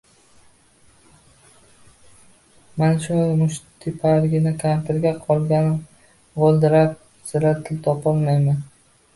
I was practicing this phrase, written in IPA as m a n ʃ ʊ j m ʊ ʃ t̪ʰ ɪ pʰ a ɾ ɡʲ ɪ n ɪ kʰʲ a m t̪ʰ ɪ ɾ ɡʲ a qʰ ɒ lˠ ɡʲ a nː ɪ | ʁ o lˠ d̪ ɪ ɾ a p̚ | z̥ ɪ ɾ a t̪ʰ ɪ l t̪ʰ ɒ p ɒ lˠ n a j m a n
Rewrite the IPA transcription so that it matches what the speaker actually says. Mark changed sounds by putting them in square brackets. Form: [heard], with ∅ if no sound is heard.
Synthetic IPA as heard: m a n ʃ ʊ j m ʊ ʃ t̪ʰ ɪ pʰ a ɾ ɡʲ ɪ n ɪ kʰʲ a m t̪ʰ ɪ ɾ ɡʲ a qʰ ɒ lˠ ɡʲ a [n] ɪ | ʁ o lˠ d̪ ɪ ɾ a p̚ | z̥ ɪ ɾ a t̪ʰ ɪ l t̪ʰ ɒ p ɒ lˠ [m] a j m a n

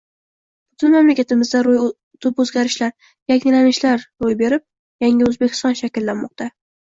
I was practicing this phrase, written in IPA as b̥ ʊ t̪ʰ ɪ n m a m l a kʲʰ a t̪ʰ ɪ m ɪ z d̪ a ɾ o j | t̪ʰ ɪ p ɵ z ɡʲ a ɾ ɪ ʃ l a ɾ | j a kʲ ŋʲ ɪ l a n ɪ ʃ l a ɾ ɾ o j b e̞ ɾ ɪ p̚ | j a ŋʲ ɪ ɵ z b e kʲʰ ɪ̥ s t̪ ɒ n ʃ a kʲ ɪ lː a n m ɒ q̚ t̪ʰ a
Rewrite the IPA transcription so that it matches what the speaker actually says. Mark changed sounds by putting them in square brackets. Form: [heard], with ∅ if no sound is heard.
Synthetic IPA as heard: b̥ ʊ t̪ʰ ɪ n m a m l a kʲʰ a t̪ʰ ɪ m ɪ z d̪ a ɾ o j | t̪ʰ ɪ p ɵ z ɡʲ a ɾ ɪ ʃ l a ɾ | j a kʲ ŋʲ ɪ l a n ɪ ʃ l a ɾ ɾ o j b e̞ ɾ ɪ p̚ | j a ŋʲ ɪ ɵ z b e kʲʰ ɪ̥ s t̪ ɒ n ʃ a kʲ ɪ lː a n m ɒ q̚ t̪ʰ a

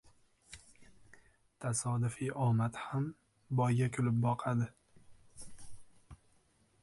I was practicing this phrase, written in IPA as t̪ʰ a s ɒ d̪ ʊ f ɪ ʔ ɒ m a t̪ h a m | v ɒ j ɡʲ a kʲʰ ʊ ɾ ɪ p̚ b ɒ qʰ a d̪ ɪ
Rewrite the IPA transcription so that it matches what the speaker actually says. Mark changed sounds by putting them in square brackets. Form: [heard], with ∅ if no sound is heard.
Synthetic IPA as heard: t̪ʰ a s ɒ d̪ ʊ f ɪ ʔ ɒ m a t̪ h a m | [b] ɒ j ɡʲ a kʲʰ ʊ [l] ɪ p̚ b ɒ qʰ a d̪ ɪ

